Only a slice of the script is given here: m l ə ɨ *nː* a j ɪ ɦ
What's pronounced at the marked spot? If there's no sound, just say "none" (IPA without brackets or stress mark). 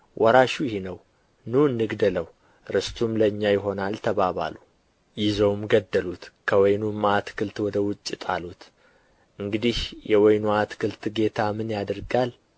ɲː